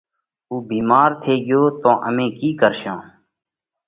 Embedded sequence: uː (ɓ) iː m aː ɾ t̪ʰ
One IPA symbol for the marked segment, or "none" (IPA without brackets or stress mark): b